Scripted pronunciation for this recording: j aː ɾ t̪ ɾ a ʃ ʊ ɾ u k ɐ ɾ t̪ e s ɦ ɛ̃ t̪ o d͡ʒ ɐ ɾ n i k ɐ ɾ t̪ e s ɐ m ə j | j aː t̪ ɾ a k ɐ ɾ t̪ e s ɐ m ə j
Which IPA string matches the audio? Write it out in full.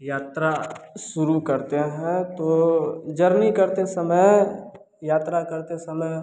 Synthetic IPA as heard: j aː t̪ ɾ a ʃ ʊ ɾ u k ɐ ɾ t̪ e ɦ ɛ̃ t̪ o d͡ʒ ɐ ɾ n i k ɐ ɾ t̪ e s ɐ m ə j | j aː t̪ ɾ a k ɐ ɾ t̪ e s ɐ m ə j